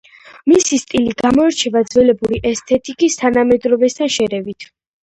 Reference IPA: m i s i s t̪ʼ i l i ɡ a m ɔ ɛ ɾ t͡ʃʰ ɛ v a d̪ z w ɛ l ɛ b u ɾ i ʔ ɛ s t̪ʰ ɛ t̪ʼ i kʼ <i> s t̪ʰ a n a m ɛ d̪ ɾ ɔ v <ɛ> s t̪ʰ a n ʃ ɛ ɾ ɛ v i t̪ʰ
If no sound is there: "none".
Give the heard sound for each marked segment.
i, ɛ

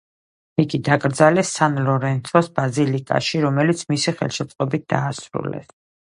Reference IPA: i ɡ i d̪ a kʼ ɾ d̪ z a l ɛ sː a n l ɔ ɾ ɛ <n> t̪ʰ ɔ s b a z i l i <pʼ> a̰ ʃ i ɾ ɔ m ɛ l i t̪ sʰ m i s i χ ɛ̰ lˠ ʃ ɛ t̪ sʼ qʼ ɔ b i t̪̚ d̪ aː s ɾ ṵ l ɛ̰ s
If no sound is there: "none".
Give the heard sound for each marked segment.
n, kʼ

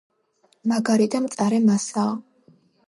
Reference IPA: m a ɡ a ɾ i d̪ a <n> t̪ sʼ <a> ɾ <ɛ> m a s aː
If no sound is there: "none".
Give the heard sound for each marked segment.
m, a, ɛ

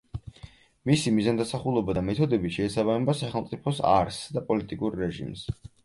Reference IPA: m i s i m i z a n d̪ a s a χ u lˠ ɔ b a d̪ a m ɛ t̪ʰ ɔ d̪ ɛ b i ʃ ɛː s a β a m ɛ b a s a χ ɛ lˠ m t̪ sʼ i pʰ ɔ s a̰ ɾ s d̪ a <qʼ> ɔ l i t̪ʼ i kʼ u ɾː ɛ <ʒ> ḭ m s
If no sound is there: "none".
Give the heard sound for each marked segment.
pʼ, ʒ

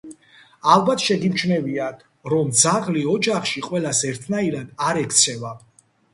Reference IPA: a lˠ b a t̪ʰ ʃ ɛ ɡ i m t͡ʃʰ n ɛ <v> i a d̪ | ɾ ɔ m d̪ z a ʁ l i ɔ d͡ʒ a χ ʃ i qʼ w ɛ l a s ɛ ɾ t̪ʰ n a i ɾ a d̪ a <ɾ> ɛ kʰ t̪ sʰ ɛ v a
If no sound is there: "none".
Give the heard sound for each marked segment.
v, ɾ

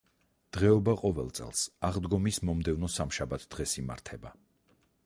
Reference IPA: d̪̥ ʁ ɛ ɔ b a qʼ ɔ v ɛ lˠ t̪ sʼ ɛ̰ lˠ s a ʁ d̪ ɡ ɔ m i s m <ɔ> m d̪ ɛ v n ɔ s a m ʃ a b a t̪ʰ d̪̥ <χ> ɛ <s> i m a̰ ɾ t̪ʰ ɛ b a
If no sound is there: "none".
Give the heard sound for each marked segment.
ɔ, ʁ, s

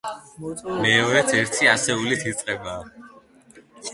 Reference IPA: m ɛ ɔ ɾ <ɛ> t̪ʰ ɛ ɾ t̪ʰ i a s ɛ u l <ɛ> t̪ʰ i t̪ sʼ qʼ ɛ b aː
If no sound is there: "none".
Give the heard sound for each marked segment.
ɛ, i

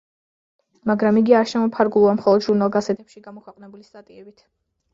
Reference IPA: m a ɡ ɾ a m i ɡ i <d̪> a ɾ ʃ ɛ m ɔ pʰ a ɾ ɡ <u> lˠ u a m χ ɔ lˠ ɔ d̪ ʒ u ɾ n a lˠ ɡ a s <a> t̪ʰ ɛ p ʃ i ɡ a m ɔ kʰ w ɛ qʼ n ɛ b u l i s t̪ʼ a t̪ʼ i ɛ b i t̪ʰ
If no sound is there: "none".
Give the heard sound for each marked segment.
none, u, ɛ

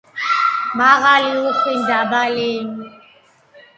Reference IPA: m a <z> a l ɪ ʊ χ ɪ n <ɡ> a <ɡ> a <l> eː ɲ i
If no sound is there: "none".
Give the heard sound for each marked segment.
ɣ, d, b, l

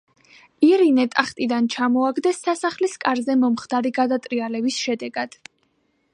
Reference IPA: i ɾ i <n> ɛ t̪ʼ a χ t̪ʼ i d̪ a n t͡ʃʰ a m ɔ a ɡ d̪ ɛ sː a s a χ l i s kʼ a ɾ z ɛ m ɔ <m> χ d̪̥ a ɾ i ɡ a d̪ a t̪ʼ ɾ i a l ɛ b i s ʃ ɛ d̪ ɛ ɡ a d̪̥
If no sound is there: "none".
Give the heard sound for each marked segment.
n, m

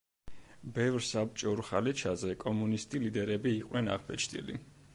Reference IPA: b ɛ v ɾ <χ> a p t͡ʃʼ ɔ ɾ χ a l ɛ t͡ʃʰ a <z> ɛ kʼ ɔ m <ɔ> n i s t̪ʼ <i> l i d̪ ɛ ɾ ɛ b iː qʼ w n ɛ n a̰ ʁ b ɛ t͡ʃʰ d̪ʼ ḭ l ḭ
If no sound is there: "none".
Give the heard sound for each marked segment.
s, z, u, i

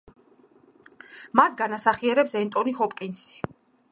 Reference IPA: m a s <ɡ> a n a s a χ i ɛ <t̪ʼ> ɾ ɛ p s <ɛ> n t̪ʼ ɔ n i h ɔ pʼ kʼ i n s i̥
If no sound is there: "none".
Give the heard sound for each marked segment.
ɡ, none, ɛ

